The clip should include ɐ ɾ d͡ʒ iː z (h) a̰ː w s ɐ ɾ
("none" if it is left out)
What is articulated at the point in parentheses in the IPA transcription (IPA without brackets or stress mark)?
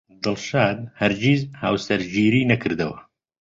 h